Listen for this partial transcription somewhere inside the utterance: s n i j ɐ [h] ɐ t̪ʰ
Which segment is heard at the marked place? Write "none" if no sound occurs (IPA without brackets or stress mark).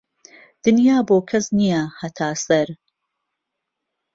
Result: h